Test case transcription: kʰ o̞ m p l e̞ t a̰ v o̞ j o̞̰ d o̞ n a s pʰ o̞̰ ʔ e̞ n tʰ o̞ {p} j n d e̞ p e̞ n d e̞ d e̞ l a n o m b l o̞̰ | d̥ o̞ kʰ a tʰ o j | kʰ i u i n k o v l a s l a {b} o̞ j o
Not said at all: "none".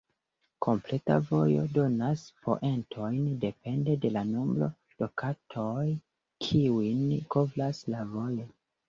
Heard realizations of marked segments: none, v

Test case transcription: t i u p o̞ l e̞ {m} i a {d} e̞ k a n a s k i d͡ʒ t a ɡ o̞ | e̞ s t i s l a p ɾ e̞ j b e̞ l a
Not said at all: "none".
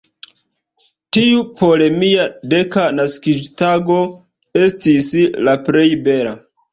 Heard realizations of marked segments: m, d

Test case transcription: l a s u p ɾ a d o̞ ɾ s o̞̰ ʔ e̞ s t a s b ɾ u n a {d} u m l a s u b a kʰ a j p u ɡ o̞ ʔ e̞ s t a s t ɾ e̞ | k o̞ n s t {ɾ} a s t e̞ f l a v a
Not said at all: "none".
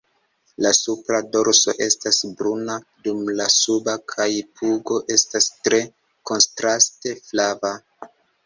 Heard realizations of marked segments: d, ɾ

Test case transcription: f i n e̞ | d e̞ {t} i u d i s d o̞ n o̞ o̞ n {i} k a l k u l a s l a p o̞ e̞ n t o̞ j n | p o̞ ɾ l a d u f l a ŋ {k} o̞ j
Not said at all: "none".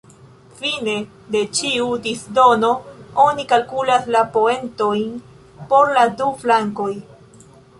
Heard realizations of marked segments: t͡ʃ, i, k

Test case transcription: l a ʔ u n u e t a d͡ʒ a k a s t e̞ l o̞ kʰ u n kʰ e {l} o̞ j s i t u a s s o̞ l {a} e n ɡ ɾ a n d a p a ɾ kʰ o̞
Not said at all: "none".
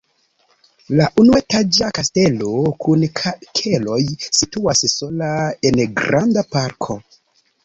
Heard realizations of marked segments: l, a

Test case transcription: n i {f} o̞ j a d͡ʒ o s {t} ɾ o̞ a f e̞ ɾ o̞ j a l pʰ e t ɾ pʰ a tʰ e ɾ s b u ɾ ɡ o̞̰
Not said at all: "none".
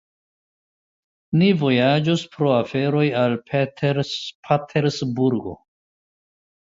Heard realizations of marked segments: v, p

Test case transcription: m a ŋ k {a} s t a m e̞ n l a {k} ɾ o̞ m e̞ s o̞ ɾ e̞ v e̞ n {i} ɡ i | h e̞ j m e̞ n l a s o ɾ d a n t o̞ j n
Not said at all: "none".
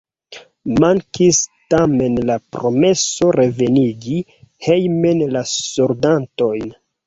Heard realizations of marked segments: i, p, i

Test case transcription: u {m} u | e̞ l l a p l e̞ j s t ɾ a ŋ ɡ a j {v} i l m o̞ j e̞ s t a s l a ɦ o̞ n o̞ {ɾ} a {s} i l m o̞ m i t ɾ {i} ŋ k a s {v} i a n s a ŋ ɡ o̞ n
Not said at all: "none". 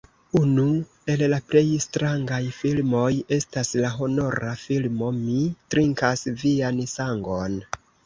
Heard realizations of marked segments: n, f, ɾ, f, i, v

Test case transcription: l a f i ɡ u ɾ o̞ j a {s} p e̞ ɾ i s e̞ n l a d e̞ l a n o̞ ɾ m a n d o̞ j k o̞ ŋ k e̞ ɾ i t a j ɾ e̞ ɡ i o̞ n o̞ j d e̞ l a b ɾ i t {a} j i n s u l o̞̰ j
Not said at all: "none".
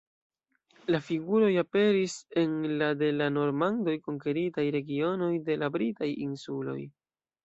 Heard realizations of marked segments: none, a

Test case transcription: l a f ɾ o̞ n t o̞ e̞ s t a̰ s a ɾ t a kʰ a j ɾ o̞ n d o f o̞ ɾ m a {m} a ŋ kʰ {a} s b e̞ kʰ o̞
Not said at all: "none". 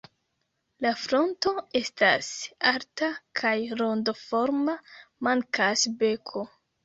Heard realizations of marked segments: m, a

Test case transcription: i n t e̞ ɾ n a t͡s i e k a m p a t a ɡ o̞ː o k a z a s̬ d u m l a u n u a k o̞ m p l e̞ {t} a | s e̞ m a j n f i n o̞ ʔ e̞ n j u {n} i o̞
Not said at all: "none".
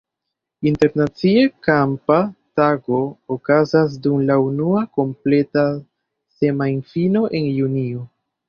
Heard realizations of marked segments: t, n

